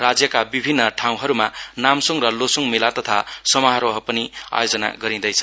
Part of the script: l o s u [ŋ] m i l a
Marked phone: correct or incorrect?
correct